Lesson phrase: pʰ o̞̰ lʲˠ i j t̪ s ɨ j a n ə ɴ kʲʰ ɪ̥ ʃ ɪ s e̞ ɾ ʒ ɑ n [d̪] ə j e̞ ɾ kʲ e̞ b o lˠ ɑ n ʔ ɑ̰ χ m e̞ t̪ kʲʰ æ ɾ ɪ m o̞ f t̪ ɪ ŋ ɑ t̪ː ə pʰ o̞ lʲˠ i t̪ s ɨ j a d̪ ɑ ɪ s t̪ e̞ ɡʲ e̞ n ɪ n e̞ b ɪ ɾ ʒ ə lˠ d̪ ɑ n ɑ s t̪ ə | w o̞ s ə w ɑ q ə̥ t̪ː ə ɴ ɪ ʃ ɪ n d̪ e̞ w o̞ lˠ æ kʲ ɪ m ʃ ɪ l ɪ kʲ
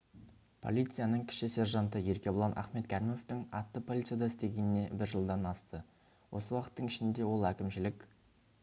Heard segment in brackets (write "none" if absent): t̪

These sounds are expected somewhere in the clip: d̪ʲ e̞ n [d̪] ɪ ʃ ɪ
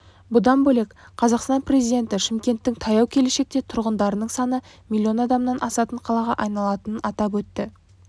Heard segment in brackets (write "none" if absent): t̪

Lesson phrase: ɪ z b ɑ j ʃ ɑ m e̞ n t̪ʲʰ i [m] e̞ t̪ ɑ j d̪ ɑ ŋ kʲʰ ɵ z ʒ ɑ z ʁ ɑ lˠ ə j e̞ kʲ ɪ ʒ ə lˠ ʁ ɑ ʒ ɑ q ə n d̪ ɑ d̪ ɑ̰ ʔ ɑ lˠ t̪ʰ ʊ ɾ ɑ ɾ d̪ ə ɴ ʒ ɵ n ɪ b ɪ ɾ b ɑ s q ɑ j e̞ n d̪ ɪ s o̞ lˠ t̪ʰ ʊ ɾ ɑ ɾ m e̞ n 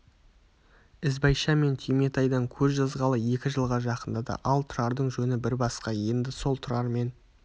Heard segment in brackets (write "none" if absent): m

